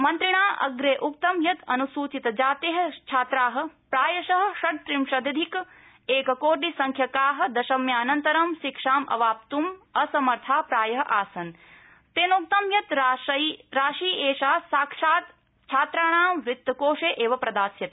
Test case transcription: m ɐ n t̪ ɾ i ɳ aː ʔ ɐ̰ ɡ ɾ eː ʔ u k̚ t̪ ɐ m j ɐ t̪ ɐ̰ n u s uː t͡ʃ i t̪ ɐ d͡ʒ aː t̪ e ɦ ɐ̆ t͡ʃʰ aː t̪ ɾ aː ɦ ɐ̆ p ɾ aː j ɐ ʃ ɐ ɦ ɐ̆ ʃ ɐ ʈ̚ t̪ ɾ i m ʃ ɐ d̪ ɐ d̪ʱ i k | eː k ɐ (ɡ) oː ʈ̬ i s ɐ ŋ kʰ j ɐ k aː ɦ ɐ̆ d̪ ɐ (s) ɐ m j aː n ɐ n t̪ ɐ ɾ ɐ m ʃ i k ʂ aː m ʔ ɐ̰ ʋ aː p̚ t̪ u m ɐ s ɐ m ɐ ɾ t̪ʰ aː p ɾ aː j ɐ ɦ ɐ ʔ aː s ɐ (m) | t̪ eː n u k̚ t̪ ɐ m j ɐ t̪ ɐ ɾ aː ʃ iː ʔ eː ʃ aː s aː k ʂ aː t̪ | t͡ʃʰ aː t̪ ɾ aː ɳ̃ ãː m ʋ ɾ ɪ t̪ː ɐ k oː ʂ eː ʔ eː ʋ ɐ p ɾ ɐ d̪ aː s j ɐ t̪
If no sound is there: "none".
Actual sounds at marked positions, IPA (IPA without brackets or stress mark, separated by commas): k, ʃ, n